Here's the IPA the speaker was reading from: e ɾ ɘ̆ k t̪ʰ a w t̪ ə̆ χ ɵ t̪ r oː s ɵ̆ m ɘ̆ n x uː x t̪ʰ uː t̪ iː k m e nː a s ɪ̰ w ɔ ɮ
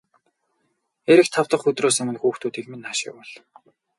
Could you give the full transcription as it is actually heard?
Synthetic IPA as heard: e ɾ ɘ̆ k t̪ʰ a w t̪ ə̆ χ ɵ t̪ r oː s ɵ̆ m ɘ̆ n x uː x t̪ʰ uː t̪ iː k m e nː a ʃ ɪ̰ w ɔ ɮ